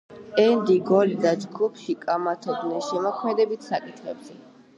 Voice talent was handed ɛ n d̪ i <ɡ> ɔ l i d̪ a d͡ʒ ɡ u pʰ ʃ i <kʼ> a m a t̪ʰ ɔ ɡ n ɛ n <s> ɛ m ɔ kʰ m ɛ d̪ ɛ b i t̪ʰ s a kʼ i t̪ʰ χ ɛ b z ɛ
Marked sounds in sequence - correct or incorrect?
correct, correct, incorrect

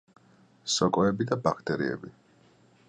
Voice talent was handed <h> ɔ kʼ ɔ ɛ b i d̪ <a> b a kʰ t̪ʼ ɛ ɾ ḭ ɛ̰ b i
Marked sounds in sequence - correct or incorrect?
incorrect, correct

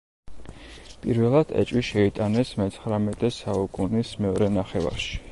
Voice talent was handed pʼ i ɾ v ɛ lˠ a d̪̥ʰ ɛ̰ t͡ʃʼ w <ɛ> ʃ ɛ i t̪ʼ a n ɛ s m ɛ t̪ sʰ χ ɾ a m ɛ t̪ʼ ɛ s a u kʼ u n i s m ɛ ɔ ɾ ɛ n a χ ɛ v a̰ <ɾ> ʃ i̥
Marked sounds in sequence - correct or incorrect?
incorrect, correct

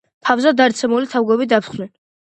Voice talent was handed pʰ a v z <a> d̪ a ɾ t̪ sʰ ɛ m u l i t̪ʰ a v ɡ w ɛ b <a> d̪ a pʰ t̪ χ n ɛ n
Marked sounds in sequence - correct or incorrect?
correct, incorrect

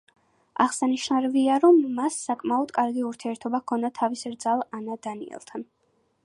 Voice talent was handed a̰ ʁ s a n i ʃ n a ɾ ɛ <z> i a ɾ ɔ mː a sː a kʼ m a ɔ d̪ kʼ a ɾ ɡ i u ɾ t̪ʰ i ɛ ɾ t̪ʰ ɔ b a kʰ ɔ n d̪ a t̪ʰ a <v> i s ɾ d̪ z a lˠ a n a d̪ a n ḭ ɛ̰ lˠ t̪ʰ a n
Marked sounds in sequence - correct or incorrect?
incorrect, correct

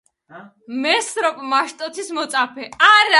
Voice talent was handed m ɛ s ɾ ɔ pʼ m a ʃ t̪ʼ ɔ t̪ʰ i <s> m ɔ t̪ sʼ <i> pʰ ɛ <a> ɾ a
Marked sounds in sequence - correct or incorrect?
correct, incorrect, correct

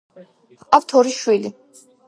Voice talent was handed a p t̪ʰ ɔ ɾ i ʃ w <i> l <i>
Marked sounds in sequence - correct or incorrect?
correct, correct

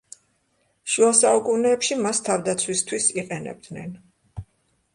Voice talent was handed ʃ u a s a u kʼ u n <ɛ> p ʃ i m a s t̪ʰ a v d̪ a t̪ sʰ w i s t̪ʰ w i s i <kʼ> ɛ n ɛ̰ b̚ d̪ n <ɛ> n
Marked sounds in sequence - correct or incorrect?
incorrect, incorrect, correct

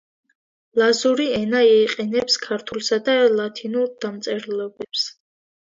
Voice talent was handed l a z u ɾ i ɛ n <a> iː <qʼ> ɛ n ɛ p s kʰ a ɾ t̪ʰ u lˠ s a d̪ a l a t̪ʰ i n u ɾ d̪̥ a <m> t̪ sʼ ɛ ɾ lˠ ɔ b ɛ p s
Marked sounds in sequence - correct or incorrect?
correct, correct, correct

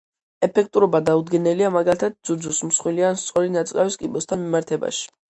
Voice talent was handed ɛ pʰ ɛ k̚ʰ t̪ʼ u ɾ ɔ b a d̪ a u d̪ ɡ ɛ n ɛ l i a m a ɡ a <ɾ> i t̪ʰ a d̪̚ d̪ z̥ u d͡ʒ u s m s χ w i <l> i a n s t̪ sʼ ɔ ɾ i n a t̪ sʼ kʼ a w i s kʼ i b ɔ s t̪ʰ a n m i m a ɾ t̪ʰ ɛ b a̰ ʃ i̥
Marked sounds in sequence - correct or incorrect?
incorrect, correct

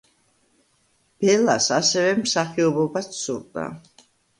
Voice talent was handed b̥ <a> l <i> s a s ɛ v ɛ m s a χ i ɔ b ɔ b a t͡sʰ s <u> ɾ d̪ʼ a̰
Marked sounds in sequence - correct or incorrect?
incorrect, incorrect, correct

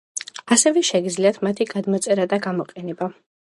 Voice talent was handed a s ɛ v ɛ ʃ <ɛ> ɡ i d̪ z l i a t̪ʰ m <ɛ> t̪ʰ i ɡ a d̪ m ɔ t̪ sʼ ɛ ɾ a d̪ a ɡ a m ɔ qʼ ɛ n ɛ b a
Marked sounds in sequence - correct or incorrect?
correct, incorrect

